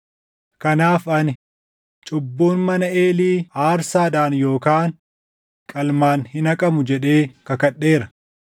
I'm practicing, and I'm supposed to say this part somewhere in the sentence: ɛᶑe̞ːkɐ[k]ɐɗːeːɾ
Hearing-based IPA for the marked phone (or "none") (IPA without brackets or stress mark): k